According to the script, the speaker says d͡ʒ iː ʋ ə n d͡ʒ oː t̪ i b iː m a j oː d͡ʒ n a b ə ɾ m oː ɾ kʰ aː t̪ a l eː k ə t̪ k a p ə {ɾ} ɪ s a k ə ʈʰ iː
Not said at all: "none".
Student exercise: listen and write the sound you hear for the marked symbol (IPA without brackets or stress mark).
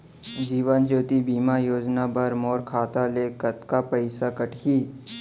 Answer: none